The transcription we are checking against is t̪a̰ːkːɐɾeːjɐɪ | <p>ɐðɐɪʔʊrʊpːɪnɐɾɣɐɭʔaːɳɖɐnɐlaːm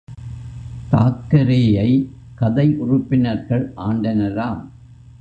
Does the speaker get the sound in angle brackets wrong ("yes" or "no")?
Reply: yes